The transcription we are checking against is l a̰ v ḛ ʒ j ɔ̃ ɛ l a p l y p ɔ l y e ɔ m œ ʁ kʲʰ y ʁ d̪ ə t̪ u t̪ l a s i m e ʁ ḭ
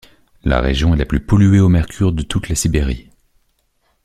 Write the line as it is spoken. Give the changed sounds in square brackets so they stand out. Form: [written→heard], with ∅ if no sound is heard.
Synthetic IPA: l a̰ [v→ʁ] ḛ ʒ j ɔ̃ ɛ l a p l y p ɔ l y e [ɔ→o] m [œ→ɛ] ʁ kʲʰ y ʁ d̪ ə t̪ u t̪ l a s i [m→b] e ʁ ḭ